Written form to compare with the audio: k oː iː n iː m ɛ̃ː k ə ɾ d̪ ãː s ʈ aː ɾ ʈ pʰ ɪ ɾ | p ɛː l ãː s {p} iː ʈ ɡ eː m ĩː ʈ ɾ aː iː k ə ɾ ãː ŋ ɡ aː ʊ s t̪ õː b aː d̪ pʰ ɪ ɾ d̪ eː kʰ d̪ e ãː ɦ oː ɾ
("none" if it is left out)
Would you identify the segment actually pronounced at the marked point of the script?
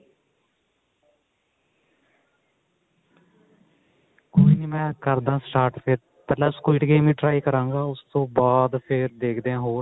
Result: k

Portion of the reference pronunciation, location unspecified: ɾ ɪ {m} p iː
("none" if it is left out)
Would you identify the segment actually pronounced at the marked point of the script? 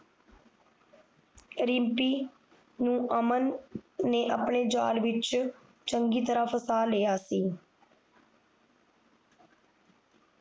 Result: m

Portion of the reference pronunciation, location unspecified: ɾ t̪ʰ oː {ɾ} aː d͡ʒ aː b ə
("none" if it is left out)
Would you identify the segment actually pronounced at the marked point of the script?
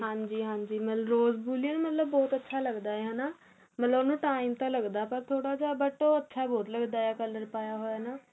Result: ɽ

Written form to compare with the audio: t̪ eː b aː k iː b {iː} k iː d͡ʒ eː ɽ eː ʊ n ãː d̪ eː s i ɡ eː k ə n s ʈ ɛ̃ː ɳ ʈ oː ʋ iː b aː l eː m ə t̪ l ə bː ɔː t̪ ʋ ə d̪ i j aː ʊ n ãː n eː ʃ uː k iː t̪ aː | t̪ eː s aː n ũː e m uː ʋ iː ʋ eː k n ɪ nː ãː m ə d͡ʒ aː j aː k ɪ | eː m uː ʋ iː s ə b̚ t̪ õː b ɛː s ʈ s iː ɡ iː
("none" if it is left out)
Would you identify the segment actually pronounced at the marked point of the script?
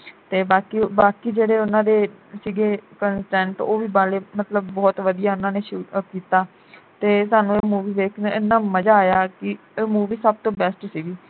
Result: aː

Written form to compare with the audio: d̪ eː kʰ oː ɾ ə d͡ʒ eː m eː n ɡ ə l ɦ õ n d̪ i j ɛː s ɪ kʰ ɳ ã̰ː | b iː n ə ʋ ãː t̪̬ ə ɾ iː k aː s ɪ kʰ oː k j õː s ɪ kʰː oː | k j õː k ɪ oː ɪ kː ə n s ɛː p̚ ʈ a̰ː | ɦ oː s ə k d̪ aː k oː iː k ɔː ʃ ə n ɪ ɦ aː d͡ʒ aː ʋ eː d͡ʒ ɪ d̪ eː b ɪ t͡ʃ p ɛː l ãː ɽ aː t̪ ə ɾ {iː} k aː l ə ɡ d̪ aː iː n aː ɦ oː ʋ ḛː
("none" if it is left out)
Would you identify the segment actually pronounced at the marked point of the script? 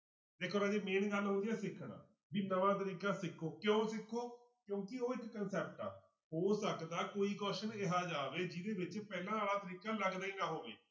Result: iː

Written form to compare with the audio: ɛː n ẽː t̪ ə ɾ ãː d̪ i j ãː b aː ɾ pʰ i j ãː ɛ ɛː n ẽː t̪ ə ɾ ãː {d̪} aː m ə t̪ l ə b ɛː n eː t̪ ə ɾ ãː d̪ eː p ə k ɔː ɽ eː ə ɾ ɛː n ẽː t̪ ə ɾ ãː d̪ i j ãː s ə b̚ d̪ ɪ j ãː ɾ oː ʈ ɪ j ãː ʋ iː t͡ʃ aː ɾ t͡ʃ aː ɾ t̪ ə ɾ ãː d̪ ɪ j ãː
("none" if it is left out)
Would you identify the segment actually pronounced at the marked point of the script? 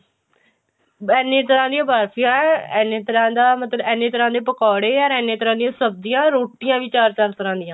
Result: d̪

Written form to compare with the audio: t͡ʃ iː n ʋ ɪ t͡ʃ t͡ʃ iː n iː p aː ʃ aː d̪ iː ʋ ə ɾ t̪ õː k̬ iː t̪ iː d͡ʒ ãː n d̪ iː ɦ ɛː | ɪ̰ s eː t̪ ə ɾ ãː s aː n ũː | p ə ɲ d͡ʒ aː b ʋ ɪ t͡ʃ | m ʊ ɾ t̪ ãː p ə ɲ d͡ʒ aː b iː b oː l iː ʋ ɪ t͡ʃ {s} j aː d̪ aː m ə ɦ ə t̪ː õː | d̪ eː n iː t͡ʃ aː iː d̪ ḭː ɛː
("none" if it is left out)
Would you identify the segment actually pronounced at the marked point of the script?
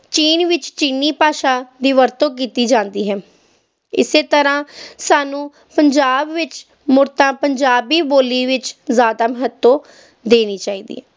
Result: z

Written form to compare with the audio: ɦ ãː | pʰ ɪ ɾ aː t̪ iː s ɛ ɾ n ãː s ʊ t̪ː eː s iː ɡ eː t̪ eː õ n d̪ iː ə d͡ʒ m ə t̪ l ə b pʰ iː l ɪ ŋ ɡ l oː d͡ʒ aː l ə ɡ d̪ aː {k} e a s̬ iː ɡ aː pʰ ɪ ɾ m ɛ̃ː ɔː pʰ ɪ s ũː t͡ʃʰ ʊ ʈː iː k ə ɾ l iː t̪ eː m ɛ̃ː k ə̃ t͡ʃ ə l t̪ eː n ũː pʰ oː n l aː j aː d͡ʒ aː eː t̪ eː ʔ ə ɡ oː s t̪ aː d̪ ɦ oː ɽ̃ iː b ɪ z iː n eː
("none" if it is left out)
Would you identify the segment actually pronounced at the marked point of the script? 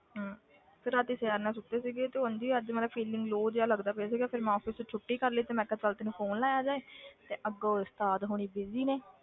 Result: p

